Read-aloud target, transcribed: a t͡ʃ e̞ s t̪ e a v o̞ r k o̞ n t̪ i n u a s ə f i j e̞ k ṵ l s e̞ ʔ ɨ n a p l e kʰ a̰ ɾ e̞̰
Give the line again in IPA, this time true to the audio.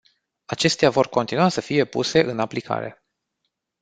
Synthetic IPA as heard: a t͡ʃ e̞ s t̪ e a v o̞ r k o̞ n t̪ i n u a s ə f i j e̞ p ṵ s e̞ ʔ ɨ n a p l i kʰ a̰ ɾ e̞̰